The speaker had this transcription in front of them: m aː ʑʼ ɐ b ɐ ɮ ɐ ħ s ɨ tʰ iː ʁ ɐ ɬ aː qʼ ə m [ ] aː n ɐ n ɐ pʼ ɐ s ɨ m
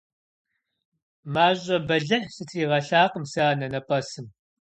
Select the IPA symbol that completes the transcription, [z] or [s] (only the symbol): s